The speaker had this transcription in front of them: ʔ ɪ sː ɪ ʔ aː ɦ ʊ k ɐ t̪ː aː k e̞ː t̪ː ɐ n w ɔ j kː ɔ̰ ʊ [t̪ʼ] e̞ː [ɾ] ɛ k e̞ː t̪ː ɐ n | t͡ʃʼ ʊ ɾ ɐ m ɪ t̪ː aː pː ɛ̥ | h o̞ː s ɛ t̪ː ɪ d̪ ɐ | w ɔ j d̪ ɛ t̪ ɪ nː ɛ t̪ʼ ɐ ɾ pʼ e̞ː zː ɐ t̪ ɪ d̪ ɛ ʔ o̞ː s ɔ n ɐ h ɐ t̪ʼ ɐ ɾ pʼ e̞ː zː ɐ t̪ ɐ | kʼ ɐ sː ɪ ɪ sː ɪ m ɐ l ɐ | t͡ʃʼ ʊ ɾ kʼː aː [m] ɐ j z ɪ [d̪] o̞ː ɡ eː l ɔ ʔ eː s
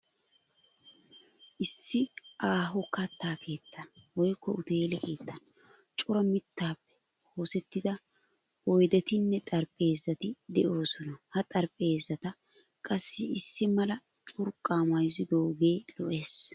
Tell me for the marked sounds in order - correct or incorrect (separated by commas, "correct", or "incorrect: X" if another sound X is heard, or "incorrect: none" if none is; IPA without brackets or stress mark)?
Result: incorrect: t̪, incorrect: l, correct, correct